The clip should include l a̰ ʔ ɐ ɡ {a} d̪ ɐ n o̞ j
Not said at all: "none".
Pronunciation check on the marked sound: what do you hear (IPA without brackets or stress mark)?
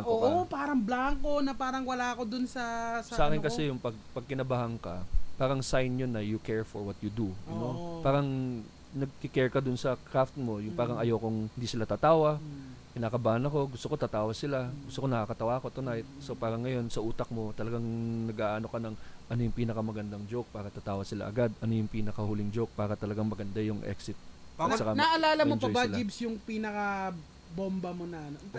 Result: a